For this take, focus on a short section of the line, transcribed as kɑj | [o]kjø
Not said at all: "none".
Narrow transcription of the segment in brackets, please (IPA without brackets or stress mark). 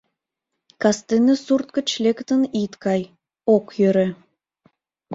o